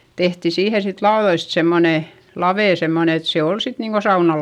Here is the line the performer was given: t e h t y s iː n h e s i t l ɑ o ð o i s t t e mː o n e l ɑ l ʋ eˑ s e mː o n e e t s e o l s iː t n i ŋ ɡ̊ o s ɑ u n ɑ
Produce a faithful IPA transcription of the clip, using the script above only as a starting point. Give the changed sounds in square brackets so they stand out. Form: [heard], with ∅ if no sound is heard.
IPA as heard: t e h t [i] s iː [∅] h e s i t l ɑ o ð o i s t [s] e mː o n e l ɑ [∅] ʋ eˑ s e mː o n e e t s e o l s [i] t n [iː] ŋ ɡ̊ o s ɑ u n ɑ